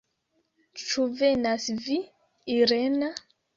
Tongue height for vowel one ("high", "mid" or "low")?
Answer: high